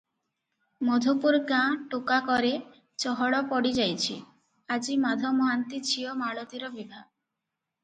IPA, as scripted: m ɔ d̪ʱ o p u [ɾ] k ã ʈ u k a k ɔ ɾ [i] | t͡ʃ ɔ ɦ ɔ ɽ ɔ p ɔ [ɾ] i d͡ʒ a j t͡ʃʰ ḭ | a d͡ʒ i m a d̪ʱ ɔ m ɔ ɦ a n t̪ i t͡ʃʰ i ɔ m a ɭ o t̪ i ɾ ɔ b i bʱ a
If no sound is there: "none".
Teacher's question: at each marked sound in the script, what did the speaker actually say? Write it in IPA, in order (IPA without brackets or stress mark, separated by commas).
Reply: ɾ, e, ɽ